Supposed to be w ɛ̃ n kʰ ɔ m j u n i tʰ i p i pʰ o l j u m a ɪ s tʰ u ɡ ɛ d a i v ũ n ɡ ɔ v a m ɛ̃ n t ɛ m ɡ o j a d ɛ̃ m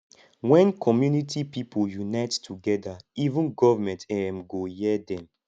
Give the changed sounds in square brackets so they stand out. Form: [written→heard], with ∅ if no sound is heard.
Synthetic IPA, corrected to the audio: w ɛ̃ n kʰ ɔ m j u n i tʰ i p i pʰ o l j u [m→n] a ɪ [s→t] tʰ u ɡ ɛ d a i v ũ n ɡ ɔ v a m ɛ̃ n t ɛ m ɡ o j [a→ɛ] d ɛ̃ m